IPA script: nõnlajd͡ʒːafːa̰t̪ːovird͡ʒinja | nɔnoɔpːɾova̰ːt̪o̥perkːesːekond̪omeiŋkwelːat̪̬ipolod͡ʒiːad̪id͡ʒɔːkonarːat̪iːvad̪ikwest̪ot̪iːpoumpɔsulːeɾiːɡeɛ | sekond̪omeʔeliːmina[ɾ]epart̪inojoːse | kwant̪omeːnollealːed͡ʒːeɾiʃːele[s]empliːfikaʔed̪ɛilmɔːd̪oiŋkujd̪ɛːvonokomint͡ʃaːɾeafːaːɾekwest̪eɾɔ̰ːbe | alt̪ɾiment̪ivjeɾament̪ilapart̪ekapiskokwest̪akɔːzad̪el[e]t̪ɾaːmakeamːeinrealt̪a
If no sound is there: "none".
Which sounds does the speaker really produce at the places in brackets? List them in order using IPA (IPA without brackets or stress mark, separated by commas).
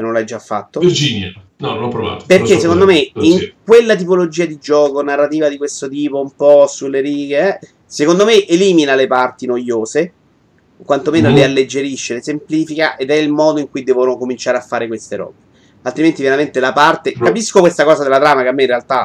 l, s, a